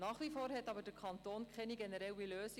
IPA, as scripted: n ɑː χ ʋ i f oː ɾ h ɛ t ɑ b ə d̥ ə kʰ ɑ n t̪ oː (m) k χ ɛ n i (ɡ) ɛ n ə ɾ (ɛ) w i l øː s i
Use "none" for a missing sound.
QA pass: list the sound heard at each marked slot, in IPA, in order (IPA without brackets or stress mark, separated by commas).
n, ɡ, ɛ